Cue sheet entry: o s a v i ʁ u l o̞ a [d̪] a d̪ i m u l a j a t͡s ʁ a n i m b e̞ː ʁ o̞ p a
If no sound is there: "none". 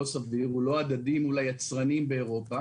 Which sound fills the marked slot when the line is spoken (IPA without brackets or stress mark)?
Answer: d̪